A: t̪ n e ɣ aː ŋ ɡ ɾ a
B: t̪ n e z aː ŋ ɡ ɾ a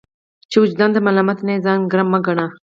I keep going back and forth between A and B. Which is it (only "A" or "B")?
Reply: B